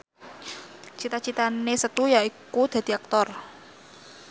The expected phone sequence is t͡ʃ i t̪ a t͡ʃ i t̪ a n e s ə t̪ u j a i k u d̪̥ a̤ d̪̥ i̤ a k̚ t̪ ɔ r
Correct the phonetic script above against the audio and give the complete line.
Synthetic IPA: t͡ʃ i t̪ a t͡ʃ i t̪ a n e s ə t̪ u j a i k u d̪̥ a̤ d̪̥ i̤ a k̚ t̪ ɔ r